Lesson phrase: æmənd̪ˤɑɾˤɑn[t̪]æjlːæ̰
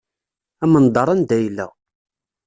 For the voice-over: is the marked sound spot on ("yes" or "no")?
no